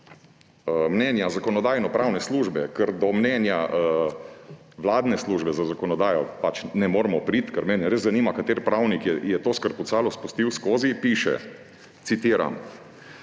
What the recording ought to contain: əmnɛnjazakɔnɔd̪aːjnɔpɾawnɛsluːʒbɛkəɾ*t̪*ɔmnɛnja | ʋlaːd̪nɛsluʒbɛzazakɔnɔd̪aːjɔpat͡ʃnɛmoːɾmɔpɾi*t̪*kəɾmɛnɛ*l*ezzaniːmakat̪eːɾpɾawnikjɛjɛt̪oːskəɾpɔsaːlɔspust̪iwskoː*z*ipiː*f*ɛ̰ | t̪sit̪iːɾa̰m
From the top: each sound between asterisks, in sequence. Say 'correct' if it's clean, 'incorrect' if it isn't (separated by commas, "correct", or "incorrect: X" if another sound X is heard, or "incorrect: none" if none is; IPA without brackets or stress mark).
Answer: incorrect: d̪, correct, incorrect: ɾ, correct, incorrect: ʃ